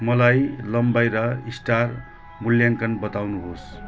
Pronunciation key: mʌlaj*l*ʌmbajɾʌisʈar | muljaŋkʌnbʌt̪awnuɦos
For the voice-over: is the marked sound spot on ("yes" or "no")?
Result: yes